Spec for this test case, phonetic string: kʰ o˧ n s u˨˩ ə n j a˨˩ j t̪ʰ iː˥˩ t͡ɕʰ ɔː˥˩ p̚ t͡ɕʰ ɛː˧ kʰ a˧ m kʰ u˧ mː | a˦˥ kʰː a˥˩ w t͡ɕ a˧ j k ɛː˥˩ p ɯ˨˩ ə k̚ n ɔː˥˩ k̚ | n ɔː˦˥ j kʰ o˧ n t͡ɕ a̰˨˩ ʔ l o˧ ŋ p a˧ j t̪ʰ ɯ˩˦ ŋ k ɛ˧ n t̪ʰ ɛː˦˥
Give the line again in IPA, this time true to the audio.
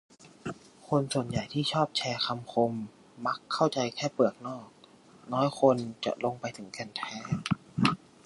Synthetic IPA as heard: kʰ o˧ n s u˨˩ ə n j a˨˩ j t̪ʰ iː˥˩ t͡ɕʰ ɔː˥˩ p̚ t͡ɕʰ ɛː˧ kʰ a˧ m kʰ o˧ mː | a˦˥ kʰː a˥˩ w t͡ɕ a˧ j kʰ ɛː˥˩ p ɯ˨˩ ə k̚ n ɔː˥˩ k̚ | n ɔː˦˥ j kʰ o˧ n t͡ɕ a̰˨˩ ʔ l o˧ ŋ p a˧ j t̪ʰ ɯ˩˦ ŋ k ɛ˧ n t̪ʰ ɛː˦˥